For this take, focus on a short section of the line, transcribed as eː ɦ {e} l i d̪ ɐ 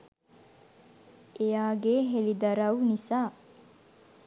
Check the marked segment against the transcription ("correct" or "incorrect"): correct